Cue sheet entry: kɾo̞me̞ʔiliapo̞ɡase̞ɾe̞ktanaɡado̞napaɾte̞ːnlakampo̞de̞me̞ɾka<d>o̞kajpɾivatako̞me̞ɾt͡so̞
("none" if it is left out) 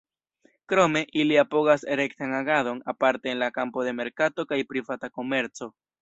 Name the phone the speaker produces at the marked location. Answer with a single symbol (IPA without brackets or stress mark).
t